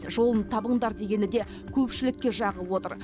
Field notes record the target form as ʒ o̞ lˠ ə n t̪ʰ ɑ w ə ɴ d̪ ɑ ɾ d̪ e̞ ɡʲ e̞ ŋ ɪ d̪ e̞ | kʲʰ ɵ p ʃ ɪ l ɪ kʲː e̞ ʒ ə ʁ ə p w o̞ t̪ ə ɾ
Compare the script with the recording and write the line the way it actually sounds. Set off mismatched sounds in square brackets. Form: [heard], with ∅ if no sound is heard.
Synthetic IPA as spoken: ʒ o̞ lˠ ə n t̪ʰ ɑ [b] ə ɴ d̪ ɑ ɾ d̪ e̞ ɡʲ e̞ [n] ɪ d̪ e̞ | kʲʰ ɵ p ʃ ɪ l ɪ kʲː e̞ ʒ [ɑ] ʁ ə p w o̞ t̪ ə ɾ